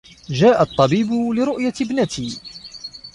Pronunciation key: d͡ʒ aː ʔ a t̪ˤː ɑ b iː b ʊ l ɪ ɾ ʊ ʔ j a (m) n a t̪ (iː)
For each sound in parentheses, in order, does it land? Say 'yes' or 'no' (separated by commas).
no, yes